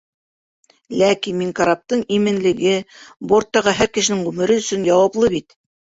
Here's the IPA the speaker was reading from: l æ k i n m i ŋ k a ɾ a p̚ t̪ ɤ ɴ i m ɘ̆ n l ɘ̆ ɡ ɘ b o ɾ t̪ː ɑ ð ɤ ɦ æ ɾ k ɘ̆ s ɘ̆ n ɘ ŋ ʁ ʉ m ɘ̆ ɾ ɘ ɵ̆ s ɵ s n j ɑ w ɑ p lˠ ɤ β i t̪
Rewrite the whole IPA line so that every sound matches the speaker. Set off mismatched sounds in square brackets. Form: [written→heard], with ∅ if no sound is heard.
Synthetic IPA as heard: l æ k i n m i ŋ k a ɾ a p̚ t̪ ɤ ɴ i m ɘ̆ n l ɘ̆ ɡ ɘ b o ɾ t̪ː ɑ [ð→ʁ] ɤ ɦ æ ɾ k ɘ̆ [s→ʃ] ɘ̆ n ɘ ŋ ʁ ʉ m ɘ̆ ɾ ɘ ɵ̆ s ɵ [s→∅] n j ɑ w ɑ p lˠ ɤ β i t̪